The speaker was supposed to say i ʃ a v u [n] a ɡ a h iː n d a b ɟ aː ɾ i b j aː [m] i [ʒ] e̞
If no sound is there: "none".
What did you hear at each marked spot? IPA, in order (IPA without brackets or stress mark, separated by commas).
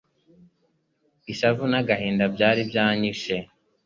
n, ɲ, ʃ